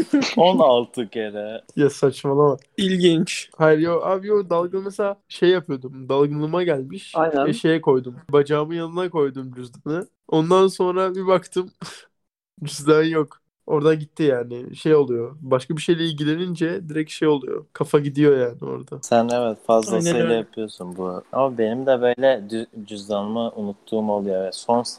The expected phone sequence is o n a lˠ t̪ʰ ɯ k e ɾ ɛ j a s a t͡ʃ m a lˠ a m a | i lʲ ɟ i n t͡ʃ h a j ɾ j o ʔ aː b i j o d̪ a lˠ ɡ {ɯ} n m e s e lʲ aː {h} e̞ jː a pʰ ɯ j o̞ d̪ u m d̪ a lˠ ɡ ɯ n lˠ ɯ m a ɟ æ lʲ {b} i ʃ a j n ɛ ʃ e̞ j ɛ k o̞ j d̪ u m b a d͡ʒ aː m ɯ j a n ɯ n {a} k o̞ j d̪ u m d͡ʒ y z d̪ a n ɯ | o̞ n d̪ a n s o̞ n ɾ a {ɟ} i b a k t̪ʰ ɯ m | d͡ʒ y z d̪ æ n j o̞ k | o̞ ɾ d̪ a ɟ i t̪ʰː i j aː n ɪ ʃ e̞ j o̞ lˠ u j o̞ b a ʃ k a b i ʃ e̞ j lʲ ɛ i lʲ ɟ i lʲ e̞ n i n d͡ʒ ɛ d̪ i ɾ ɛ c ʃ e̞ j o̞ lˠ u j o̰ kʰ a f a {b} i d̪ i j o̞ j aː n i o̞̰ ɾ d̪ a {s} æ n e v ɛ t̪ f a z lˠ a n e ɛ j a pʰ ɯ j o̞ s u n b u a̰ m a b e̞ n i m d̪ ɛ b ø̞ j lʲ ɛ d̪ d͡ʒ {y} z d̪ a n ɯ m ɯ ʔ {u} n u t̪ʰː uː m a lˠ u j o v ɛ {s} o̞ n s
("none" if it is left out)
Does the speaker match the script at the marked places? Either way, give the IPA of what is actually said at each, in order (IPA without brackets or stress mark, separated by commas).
ɯ, ʃ, m, a, b, ɟ, s, y, u, s